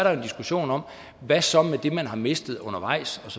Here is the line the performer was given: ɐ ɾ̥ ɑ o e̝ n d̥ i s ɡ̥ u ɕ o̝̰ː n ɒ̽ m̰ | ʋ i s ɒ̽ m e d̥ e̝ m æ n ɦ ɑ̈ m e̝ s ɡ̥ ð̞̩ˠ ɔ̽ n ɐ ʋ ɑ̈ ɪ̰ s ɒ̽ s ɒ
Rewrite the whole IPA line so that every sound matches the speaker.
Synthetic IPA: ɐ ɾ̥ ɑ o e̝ n d̥ i s ɡ̥ u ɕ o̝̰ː n ɒ̽ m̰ | ʋ æ s ɒ̽ m e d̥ e̝ m æ n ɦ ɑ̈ m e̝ s d̥ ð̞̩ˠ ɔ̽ n ɐ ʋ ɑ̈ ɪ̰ s ɒ̽ s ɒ